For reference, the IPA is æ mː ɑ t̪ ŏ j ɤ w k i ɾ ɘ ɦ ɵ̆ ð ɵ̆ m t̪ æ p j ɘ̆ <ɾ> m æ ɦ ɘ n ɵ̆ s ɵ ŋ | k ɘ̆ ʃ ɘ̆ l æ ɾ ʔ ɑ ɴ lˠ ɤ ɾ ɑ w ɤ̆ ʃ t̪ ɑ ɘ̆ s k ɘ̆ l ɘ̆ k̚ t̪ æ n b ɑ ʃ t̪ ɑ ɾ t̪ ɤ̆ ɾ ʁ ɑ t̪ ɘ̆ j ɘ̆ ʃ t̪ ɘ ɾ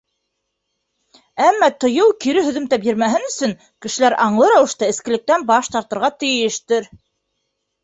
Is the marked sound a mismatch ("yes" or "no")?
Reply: no